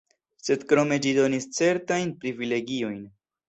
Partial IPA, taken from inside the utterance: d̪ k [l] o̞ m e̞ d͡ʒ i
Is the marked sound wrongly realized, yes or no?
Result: yes